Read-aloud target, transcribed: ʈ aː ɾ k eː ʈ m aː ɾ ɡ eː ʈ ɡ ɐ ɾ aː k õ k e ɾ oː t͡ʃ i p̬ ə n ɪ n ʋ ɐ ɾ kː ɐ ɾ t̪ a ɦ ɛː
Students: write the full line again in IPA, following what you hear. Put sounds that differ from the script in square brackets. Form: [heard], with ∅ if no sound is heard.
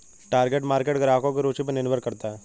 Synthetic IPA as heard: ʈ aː ɾ [ɡ] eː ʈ m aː ɾ [k] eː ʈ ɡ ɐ ɾ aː k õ k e ɾ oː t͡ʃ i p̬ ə n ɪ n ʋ [ə] ɾ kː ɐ ɾ t̪ a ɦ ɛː